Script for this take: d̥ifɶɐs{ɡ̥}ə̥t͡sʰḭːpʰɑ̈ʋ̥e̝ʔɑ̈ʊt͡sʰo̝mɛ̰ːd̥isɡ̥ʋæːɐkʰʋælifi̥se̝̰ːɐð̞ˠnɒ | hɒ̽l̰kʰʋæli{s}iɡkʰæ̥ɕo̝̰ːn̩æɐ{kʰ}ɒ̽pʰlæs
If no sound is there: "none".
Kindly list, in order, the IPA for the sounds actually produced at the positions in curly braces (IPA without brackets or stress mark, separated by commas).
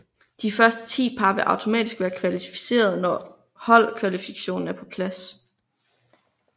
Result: d̥, f, pʰ